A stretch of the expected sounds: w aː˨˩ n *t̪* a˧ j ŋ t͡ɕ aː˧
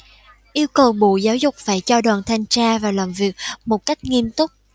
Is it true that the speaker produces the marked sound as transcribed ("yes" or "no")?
no